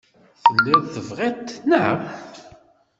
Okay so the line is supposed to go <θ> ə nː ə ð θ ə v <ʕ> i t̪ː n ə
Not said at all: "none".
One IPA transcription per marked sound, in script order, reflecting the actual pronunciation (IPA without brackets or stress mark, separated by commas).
θ, ʁ